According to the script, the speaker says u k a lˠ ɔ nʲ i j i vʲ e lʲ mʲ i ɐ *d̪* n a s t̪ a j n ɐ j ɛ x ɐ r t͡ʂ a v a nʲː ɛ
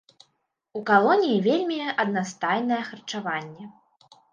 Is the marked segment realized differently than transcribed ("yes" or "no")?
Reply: no